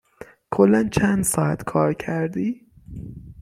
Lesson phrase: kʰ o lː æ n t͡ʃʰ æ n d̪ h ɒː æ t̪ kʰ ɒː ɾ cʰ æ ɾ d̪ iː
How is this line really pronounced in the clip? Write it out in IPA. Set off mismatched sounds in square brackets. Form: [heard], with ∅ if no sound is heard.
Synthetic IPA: kʰ o lː æ n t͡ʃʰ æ n d̪ [s] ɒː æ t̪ kʰ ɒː ɾ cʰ æ ɾ d̪ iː